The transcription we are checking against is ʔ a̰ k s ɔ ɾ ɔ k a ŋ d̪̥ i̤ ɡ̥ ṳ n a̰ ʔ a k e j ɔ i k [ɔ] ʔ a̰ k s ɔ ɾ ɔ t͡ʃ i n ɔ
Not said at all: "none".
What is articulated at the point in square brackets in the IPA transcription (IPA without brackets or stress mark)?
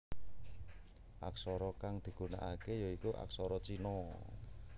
u